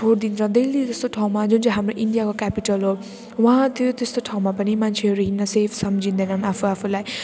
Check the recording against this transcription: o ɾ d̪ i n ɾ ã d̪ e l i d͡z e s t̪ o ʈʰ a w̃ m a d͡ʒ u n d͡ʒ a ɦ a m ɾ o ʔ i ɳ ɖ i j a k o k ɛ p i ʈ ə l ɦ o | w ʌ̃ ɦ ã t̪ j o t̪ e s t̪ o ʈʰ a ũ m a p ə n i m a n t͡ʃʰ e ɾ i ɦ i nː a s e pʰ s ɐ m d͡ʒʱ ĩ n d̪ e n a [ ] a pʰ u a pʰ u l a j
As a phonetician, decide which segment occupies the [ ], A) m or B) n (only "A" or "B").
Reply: B